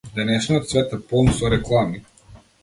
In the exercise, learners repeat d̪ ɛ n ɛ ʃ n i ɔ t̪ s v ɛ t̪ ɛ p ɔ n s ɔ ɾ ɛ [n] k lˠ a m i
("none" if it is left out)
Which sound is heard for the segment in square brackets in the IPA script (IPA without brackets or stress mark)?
none